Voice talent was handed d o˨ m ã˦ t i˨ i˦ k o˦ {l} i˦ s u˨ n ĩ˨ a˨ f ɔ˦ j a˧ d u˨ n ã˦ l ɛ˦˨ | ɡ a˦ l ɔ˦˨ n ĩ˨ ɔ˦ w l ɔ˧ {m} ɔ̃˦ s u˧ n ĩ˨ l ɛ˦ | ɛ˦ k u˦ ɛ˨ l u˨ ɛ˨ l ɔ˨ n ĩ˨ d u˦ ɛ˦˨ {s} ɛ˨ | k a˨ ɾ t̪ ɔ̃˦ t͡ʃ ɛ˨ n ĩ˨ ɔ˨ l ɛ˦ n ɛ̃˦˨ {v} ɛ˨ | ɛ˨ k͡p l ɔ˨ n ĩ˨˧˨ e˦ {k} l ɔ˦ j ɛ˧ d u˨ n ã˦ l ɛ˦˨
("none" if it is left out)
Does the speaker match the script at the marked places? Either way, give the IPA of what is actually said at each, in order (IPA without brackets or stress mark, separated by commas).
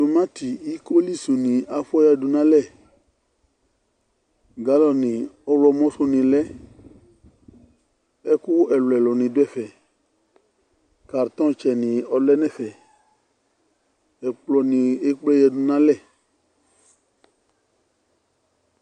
l, m, f, f, k͡p